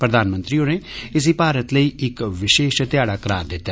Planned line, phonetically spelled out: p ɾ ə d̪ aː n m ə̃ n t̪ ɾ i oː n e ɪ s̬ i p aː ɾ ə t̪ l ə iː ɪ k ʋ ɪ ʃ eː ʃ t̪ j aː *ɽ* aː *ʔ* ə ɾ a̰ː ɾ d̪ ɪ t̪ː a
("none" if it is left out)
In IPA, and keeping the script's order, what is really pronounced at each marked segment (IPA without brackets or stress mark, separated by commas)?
ɽ, k